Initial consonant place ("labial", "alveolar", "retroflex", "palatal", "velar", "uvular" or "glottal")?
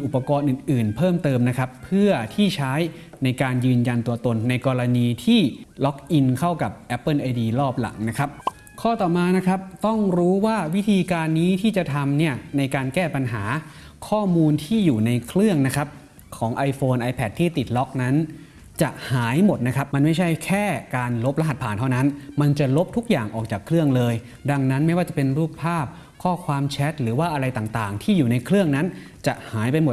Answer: glottal